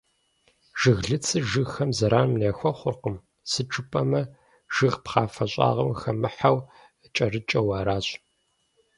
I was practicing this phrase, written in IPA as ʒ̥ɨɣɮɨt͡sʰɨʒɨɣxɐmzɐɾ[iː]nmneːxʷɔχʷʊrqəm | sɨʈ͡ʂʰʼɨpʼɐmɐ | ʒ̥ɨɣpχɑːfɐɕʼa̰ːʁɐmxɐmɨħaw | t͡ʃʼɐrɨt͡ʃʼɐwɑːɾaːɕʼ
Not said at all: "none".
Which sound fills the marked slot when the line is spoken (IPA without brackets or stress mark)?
aː